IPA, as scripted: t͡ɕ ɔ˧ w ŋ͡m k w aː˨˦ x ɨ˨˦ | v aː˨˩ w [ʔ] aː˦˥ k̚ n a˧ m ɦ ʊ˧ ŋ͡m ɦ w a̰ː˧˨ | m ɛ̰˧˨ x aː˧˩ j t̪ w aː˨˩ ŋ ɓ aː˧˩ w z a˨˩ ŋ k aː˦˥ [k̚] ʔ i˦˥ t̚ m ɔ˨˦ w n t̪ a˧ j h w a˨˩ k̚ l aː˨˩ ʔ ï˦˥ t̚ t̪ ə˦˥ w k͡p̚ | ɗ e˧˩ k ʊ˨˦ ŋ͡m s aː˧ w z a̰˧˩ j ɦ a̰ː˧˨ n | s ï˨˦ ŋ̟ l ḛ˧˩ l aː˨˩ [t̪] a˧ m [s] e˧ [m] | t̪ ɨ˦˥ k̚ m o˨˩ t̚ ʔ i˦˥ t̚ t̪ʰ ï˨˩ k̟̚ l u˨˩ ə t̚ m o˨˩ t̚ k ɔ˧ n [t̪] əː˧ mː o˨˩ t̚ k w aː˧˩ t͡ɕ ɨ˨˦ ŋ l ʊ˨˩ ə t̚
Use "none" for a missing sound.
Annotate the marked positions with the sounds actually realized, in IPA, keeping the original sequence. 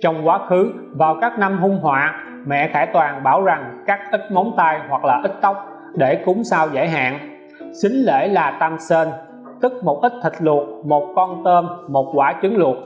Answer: k, k̚, t̪, s, n, t̪

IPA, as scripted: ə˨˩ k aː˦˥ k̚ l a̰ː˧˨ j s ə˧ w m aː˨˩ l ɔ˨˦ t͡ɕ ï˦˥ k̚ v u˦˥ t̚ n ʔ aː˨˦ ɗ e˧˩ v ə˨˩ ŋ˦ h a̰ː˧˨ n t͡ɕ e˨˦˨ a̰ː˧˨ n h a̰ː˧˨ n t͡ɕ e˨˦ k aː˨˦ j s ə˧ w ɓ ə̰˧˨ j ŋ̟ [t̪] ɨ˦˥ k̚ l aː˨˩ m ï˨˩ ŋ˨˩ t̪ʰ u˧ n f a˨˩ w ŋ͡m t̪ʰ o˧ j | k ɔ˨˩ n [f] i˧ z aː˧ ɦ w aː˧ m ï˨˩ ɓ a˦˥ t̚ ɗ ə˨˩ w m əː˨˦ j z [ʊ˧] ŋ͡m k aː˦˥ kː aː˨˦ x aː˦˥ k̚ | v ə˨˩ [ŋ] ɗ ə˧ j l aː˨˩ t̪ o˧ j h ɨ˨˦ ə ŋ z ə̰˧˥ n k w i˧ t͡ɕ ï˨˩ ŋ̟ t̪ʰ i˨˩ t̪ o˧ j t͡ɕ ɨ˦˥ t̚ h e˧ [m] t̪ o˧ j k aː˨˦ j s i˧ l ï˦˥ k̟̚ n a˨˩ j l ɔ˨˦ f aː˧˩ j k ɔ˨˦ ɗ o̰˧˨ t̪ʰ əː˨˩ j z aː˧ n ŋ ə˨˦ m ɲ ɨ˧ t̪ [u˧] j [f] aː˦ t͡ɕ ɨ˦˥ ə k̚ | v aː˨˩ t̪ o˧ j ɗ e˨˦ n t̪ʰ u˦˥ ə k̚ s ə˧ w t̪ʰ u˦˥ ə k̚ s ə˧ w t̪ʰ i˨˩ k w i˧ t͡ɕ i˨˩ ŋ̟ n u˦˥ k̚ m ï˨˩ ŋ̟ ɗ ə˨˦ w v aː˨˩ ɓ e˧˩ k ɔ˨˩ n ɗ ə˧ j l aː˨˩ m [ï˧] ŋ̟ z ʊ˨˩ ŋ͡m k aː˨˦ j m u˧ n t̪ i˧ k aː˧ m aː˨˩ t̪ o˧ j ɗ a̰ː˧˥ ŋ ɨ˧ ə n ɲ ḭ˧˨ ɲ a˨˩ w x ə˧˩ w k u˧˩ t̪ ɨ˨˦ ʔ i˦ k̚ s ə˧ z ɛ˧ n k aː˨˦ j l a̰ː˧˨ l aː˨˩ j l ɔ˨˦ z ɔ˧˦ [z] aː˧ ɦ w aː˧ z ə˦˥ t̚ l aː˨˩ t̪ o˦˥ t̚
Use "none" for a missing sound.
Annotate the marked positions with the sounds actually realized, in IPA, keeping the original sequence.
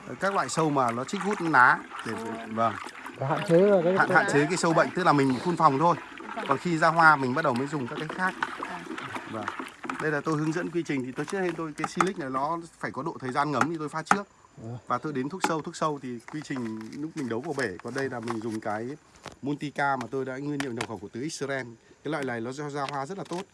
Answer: t̪, x, ʊ˨˩, ŋ, n, o˧, f, ï˨˩, z

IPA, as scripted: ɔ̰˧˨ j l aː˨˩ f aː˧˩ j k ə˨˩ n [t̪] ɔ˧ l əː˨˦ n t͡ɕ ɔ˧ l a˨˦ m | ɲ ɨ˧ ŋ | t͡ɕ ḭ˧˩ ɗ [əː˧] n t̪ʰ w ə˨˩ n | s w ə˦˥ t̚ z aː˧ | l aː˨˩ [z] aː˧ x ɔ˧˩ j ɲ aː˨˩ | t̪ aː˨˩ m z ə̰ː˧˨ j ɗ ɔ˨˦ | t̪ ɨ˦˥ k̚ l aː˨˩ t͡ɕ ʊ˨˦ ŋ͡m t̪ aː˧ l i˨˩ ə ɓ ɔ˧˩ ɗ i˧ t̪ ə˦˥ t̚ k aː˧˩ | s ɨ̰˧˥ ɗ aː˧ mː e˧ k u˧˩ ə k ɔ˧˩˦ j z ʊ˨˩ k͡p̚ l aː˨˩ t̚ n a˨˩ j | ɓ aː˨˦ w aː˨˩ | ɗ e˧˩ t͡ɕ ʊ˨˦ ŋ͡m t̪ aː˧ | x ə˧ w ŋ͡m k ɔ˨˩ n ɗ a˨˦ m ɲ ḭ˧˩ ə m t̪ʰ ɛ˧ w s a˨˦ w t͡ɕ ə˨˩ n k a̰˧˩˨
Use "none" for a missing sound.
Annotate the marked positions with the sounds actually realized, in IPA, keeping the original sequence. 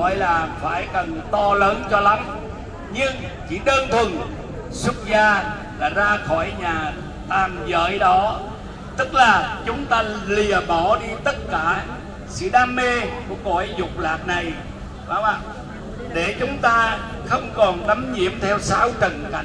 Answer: t̪, əː˧, z

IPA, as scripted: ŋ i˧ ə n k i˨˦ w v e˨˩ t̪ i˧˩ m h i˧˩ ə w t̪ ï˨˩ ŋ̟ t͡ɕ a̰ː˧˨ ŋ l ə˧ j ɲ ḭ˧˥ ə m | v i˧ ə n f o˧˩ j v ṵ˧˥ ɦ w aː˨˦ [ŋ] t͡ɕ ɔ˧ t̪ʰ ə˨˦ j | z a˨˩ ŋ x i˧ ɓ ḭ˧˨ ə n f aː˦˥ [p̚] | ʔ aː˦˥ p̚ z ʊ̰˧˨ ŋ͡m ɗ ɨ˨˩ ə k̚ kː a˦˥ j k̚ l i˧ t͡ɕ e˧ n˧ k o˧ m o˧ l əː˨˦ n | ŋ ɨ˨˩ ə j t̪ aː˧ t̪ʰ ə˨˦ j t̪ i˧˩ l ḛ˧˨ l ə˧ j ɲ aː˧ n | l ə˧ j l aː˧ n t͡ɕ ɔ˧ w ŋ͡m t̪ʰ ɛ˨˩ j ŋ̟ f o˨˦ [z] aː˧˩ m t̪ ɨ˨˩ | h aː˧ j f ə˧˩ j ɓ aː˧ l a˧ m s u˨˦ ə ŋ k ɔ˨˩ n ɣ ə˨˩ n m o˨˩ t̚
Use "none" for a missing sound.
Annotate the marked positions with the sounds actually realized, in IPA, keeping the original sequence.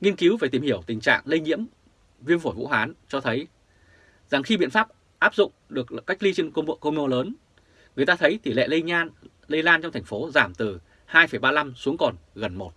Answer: n, p̚, z

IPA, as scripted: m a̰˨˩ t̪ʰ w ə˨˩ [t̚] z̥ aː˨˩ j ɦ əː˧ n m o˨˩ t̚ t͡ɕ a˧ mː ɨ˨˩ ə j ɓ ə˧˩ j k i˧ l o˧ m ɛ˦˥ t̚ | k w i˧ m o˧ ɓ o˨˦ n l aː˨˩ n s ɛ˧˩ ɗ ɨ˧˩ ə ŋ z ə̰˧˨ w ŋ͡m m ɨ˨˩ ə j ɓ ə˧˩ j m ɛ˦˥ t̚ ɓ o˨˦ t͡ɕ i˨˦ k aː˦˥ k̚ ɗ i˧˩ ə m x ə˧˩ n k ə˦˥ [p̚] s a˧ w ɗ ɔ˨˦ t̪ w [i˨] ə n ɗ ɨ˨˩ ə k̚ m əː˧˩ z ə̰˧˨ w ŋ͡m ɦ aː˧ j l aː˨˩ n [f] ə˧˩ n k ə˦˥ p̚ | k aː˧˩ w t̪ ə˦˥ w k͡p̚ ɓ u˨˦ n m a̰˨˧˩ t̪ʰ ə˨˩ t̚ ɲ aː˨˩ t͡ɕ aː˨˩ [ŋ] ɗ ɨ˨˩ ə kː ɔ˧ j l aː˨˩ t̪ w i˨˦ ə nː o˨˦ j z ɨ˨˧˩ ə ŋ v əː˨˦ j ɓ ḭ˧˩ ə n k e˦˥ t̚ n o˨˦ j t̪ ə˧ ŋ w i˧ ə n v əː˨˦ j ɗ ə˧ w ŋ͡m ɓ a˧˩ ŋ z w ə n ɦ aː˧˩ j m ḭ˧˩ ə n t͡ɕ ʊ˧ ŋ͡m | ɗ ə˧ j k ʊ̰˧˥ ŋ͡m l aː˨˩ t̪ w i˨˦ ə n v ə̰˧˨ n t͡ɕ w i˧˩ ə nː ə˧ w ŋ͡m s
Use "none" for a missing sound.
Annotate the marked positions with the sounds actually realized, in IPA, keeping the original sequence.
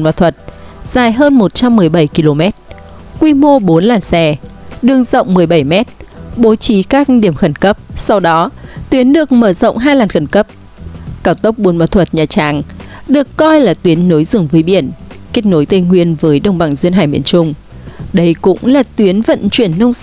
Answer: t̚, p̚, i˨˦, x, ŋ

